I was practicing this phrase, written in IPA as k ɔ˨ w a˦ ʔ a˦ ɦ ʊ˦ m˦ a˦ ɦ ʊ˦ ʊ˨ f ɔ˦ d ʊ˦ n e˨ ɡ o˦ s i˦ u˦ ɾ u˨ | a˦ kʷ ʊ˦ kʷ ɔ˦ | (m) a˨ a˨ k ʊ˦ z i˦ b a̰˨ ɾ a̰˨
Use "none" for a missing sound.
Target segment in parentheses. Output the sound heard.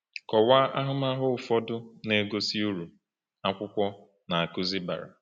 n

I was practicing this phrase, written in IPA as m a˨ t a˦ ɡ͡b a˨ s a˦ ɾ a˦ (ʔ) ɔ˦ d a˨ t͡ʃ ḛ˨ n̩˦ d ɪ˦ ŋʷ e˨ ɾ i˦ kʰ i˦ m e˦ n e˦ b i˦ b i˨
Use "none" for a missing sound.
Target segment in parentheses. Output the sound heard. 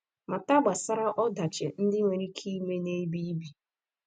ʔ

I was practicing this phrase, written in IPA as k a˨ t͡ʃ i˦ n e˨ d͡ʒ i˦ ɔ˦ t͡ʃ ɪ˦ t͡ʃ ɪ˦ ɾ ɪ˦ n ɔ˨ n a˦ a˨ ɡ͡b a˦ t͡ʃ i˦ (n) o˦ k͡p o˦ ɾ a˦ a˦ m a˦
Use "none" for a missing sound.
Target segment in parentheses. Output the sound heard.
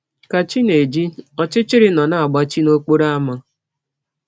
n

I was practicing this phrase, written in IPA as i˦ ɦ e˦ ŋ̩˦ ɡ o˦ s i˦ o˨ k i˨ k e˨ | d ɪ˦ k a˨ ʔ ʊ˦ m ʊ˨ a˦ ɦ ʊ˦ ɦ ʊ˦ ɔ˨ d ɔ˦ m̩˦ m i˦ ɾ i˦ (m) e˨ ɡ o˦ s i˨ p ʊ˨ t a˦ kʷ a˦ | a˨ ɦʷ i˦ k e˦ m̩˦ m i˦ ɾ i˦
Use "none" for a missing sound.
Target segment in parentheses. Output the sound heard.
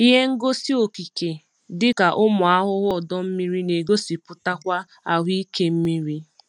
n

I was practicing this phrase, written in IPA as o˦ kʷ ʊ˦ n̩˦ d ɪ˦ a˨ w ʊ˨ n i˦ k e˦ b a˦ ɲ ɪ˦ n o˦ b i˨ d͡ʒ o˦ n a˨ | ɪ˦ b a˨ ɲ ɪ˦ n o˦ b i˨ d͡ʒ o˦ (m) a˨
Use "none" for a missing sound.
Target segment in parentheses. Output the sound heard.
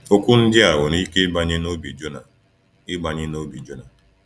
n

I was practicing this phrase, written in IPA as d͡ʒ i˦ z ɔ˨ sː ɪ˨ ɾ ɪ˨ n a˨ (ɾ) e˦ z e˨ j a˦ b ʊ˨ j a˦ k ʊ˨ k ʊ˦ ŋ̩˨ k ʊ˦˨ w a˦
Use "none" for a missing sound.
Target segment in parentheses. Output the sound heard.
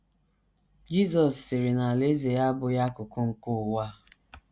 l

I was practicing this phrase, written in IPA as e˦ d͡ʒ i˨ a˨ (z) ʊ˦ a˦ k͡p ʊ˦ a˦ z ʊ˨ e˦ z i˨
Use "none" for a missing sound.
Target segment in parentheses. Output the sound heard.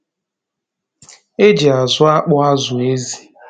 z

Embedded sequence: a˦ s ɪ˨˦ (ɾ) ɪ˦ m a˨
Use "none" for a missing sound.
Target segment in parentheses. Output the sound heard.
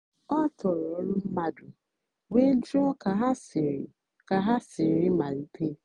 ɾ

